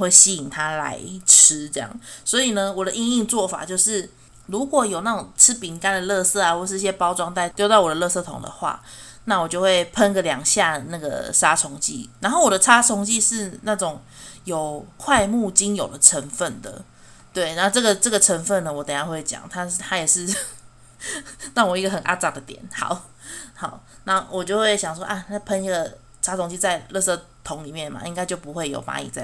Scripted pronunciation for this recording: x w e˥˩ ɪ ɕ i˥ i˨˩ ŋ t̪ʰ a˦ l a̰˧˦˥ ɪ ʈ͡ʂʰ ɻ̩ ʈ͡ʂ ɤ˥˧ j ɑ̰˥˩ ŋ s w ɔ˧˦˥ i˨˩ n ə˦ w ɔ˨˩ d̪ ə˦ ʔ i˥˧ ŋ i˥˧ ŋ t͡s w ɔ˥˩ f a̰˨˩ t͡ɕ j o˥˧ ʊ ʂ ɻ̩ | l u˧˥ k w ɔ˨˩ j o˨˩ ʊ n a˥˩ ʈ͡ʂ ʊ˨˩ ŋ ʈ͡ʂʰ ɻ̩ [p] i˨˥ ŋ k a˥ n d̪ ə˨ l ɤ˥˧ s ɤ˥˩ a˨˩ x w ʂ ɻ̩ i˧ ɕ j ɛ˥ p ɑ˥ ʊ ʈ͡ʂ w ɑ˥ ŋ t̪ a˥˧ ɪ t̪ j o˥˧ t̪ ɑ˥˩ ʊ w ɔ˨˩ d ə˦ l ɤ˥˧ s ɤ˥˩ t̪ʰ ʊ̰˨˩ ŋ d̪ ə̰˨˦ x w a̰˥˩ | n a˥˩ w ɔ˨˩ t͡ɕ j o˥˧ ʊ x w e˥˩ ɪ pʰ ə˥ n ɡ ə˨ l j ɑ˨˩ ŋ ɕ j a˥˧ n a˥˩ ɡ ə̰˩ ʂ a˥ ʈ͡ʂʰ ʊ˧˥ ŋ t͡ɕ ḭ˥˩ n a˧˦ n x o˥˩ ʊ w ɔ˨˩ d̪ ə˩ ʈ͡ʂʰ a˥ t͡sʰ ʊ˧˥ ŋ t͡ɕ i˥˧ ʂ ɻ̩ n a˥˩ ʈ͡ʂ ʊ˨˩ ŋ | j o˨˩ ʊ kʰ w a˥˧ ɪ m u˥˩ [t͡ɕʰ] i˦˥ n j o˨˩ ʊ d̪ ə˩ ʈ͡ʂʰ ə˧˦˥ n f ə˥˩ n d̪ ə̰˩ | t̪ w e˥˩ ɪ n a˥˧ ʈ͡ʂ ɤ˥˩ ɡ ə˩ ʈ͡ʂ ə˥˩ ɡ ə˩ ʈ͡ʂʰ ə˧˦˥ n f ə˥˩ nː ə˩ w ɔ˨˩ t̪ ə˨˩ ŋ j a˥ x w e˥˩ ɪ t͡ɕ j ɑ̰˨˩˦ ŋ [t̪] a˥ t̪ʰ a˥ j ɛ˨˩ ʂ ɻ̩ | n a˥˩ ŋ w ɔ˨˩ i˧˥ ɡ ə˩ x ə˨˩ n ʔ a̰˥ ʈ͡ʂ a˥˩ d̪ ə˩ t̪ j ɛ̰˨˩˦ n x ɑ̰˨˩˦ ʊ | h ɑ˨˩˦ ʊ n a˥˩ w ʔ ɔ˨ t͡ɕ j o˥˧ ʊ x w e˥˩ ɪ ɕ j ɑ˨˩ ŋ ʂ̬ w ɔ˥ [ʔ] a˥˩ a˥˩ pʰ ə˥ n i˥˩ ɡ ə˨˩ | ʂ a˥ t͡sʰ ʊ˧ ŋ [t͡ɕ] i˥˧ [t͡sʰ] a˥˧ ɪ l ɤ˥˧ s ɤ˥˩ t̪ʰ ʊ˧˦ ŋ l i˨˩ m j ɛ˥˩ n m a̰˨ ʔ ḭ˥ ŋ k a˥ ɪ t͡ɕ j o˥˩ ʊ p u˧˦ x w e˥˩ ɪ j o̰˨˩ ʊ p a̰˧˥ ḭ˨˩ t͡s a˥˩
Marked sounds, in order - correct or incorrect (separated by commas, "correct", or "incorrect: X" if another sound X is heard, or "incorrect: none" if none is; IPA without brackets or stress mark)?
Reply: correct, incorrect: t͡ɕ, incorrect: t̪ʰ, correct, correct, incorrect: t͡s